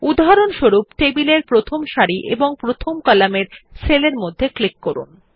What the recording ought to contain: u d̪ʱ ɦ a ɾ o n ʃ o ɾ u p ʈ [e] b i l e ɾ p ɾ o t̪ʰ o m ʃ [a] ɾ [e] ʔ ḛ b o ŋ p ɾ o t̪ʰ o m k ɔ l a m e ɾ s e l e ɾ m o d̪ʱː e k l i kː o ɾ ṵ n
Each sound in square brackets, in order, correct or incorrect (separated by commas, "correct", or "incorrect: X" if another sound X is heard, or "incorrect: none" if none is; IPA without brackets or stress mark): correct, correct, incorrect: i